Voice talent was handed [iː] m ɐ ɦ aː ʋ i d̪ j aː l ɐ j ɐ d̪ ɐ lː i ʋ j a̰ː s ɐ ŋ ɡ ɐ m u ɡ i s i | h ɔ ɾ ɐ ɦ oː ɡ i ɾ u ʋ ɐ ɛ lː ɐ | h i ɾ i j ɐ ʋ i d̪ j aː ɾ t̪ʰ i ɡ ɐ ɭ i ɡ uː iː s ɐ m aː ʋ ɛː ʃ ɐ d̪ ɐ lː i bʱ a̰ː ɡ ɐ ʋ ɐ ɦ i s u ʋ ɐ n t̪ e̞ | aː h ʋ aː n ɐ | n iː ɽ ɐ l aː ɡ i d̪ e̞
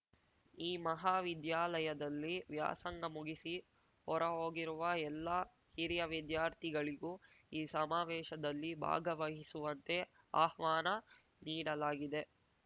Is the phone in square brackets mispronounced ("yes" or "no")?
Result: no